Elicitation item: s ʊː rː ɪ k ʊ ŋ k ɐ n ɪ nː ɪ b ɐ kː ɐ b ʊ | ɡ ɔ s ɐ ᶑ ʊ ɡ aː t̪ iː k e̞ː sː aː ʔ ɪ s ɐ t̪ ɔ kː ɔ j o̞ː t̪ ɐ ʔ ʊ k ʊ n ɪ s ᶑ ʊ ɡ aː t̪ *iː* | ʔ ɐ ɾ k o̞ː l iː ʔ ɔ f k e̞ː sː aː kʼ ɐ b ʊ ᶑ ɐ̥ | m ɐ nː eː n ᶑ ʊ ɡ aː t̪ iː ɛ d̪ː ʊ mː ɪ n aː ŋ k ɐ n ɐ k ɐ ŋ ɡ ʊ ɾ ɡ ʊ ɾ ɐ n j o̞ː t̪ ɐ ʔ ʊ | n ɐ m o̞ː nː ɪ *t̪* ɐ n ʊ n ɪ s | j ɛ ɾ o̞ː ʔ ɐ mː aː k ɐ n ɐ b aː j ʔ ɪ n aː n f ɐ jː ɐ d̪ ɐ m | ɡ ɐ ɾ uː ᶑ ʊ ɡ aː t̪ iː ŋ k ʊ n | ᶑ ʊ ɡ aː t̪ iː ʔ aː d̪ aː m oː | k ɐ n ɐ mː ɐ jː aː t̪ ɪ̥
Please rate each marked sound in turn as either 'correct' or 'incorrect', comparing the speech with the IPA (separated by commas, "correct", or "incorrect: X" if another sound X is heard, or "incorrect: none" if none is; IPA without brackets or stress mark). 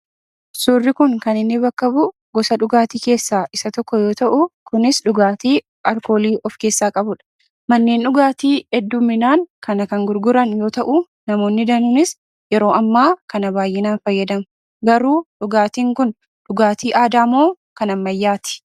correct, incorrect: d̪